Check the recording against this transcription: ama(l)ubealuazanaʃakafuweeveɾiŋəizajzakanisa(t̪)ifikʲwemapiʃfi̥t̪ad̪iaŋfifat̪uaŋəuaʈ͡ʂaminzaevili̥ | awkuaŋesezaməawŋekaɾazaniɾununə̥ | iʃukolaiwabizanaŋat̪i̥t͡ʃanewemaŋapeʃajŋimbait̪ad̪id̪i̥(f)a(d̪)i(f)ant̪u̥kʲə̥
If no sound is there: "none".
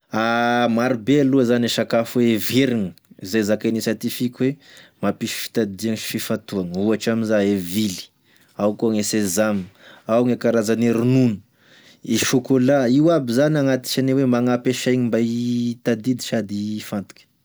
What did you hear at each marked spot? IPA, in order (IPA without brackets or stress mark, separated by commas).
ɾ, t̪, ʃ, d̪, f